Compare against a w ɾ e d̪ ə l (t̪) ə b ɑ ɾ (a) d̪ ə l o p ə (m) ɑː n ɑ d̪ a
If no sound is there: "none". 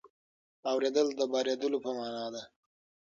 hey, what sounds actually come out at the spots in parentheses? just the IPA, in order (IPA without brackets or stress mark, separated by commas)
d̪, e, m